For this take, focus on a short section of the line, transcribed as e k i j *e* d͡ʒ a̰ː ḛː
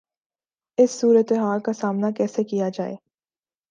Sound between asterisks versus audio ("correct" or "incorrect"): incorrect